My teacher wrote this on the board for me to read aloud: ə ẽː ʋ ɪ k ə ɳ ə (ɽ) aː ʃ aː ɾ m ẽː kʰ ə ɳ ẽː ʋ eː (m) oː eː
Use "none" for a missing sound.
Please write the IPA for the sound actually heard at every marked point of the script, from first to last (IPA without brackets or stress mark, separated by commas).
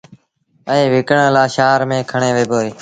l, b